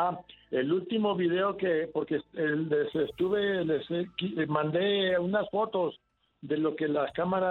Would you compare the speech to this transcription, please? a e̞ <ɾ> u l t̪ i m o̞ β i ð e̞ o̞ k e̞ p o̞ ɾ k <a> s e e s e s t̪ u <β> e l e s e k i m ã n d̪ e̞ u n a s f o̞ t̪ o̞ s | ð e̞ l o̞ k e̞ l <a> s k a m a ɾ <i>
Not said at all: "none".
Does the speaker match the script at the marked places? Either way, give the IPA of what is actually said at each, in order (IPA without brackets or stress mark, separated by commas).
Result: l, e, β, a, a